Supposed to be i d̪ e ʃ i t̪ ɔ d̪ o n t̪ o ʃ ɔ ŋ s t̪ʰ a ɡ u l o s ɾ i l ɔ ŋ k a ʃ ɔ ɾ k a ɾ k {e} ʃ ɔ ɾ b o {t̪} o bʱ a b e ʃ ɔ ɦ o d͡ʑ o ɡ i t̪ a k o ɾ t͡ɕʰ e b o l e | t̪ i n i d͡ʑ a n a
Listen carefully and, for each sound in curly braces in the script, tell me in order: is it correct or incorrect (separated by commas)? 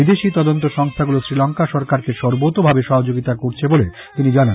correct, correct